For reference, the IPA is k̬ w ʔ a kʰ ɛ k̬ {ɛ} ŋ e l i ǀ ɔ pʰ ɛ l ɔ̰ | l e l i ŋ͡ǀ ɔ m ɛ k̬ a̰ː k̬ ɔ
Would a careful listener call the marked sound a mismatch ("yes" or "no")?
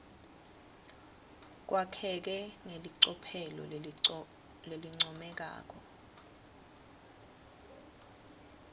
no